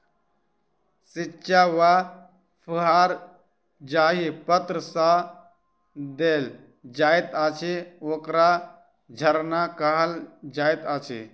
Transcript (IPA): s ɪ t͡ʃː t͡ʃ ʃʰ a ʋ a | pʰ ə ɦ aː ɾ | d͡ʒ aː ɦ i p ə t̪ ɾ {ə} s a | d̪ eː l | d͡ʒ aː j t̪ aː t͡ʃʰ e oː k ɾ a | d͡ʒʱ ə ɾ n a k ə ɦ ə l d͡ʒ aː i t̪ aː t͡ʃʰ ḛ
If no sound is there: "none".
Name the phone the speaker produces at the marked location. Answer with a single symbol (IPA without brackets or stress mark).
ə